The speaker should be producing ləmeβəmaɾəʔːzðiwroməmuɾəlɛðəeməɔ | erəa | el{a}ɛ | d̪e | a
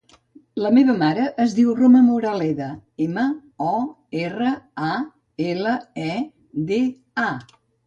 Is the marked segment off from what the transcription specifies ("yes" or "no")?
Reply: yes